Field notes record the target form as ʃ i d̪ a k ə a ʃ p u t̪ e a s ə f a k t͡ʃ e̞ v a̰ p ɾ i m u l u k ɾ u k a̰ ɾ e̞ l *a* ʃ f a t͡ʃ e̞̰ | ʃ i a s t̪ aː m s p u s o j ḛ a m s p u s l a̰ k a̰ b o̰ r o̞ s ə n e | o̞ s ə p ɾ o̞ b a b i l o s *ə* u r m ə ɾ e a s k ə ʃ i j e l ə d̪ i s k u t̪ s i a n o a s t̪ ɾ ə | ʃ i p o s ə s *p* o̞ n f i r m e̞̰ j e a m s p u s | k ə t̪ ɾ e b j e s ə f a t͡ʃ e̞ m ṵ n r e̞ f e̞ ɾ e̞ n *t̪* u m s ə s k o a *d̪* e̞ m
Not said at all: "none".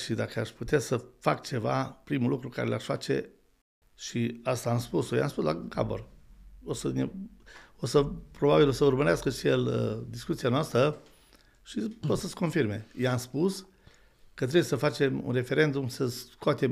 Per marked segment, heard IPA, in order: a, ə, k, d̪, t̪

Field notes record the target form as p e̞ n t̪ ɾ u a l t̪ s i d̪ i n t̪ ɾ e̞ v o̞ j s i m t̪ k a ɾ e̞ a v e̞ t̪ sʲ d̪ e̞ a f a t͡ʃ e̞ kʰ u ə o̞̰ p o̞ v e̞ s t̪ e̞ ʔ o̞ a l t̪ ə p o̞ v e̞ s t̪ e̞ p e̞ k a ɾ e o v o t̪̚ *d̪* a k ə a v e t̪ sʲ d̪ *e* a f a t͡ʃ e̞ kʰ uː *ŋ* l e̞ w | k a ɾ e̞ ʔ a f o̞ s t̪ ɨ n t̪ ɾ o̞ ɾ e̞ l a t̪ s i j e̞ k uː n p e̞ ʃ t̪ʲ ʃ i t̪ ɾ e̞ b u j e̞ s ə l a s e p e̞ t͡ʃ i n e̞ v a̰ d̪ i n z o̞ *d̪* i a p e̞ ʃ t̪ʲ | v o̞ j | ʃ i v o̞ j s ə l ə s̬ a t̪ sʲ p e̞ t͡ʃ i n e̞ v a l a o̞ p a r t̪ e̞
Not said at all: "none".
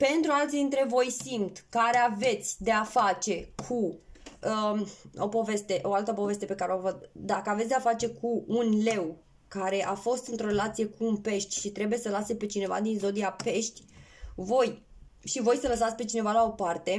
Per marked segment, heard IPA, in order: d̪, e, n, d̪

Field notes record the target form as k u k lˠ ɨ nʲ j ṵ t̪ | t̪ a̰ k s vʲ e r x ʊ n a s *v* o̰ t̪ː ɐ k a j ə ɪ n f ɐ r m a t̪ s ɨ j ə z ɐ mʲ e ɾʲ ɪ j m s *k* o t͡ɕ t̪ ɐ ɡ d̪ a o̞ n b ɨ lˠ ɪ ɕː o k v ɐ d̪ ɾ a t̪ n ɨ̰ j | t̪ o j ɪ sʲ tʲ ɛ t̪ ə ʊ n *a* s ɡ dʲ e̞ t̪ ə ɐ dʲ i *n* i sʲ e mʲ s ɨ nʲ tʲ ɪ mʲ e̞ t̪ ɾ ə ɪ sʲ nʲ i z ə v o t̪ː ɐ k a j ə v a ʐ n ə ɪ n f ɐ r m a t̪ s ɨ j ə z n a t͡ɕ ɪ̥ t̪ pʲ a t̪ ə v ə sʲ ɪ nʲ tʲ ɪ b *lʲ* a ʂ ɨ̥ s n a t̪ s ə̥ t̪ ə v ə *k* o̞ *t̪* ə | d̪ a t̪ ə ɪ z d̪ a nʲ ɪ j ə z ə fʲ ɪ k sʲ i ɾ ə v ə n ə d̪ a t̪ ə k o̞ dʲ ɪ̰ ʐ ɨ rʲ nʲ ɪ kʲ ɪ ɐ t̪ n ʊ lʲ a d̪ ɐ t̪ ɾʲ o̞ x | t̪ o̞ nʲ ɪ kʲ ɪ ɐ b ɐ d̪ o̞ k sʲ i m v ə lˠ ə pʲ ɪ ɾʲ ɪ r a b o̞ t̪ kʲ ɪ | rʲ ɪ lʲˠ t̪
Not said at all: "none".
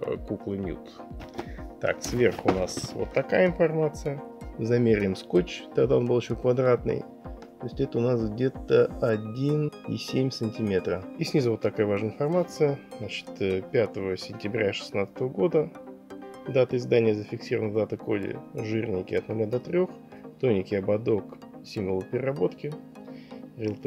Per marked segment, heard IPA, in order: v, k, a, n, ɾʲ, ɡ, d̪

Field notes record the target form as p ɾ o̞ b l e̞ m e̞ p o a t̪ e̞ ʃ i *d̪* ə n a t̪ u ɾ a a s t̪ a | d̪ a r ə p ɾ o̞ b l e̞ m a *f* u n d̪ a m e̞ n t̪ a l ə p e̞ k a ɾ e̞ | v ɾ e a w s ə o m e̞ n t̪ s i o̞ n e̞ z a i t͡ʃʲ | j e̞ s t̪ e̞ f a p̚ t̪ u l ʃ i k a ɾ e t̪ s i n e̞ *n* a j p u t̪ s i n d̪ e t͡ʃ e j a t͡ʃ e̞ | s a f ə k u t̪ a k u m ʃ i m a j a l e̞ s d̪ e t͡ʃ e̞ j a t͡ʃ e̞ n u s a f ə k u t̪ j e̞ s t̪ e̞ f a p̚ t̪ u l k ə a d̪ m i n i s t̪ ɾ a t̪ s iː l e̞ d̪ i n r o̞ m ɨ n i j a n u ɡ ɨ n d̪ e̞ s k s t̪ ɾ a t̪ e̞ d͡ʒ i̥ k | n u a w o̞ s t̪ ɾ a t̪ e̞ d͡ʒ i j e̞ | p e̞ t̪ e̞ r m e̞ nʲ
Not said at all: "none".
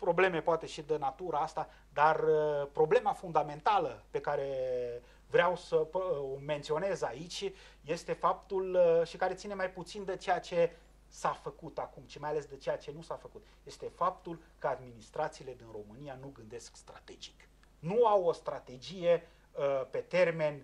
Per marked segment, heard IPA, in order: d̪, f, m

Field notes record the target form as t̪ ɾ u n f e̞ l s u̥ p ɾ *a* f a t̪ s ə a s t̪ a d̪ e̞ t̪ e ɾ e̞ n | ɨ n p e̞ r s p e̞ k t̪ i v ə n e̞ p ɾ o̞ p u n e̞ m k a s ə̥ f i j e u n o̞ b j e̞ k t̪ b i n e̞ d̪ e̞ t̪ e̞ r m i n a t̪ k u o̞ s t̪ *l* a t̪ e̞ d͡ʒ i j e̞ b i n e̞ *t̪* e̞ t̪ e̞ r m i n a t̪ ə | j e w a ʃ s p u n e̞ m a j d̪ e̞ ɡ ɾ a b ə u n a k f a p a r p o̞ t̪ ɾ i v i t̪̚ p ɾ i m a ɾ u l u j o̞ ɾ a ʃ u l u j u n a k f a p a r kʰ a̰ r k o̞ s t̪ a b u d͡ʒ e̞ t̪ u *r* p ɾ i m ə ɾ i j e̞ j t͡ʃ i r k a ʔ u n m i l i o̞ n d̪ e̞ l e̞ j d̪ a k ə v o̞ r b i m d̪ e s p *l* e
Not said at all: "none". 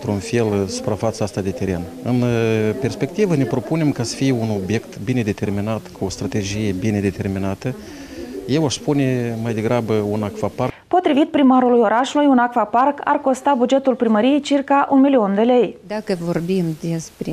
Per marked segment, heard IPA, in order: a, ɾ, d̪, l, ɾ

